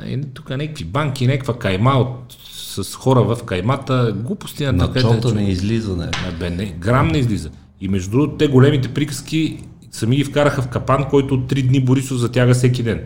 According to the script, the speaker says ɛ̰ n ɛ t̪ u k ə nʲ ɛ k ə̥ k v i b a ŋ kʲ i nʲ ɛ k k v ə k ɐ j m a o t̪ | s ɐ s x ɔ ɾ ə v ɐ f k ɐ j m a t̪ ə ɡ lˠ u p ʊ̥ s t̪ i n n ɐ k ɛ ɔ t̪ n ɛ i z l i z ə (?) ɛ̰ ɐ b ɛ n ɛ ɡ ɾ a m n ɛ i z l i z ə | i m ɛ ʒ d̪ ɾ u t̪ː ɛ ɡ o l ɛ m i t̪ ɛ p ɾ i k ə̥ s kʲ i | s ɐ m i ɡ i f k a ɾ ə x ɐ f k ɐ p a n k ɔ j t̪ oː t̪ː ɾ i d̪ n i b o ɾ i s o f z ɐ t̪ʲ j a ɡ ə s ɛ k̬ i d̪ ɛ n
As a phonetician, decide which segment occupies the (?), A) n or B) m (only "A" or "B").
A